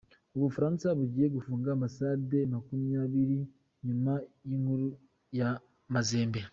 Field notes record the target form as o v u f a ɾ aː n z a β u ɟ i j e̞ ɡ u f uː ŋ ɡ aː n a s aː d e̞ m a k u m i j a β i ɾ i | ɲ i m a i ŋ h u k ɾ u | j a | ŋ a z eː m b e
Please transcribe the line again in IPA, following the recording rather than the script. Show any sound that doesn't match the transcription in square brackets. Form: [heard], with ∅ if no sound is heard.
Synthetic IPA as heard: o [β] u f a ɾ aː n [s] a β u ɟ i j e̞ ɡ u f uː ŋ ɡ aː [m] a s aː d e̞ m a k u m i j a β i ɾ i | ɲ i m a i ŋ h u [∅] ɾ u | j a | [m] a z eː m b e